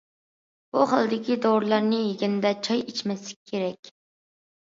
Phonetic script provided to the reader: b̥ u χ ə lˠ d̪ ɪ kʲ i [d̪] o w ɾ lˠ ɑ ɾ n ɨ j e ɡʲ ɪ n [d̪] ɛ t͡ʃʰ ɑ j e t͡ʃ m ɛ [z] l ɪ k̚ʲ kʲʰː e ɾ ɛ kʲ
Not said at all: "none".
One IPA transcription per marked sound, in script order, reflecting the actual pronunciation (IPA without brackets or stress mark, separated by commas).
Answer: d̪, d̪, s